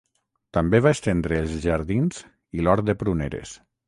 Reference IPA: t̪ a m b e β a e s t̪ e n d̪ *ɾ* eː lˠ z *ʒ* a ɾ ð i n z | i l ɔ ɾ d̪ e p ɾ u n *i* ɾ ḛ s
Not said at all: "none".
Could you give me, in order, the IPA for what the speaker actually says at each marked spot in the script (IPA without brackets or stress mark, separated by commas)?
ɾ, ʒ, e